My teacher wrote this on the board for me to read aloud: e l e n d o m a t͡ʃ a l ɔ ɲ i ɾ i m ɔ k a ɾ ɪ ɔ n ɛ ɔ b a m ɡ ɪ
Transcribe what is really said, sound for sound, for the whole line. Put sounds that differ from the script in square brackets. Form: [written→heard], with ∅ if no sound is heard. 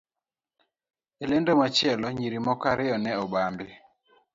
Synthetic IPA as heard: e l e n d o m a t͡ʃ [a→ɛ] l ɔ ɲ i ɾ i m ɔ k a ɾ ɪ ɔ n ɛ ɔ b a m [ɡ→b] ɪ